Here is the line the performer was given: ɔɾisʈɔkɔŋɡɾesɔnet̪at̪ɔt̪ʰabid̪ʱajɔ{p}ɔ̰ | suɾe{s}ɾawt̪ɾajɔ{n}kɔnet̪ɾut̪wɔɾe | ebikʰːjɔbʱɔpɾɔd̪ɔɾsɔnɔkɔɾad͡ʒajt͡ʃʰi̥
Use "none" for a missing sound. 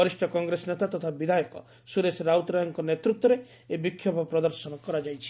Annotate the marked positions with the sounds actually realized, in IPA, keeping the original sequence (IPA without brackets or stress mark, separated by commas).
k, s, ŋ